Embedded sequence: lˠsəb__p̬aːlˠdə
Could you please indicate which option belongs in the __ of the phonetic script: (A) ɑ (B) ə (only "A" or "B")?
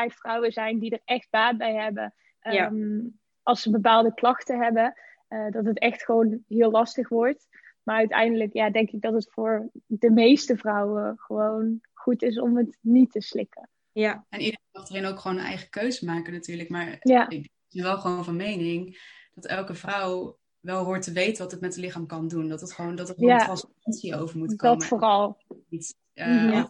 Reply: B